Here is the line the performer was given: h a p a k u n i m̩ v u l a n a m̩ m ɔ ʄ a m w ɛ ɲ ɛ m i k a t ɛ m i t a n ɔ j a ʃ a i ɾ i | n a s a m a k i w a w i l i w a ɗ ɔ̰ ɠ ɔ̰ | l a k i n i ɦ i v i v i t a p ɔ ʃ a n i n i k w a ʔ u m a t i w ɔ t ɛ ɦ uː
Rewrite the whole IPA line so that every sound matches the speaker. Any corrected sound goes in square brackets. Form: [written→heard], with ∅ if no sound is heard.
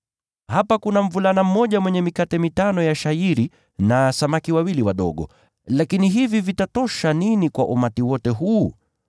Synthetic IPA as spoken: h a p a k u n [i→a] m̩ v u l a n a m̩ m ɔ ʄ a m w ɛ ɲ ɛ m i k a t ɛ m i t a n ɔ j a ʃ a i ɾ i | n a s a m a k i w a w i l i w a ɗ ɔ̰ ɠ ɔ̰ | l a k i n i ɦ i v i v i t a [p→t] ɔ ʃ a n i n i k w a ʔ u m a t i w ɔ t ɛ ɦ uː